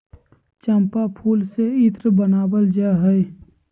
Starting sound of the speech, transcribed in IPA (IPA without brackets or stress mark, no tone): t͡ʃ